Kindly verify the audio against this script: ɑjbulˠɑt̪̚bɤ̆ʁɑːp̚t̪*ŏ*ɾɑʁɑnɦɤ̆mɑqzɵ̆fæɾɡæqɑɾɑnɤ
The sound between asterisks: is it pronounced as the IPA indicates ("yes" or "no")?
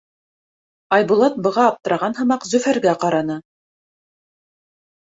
no